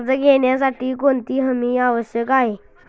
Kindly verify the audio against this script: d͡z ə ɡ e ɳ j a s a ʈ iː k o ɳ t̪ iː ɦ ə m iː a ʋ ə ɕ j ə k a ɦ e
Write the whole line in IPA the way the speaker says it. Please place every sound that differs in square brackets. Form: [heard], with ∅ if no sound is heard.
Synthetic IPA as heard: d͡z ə ɡ e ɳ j a s a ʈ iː k o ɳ t̪ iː ɦ ə m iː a ʋ ə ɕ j ə k a ɦ e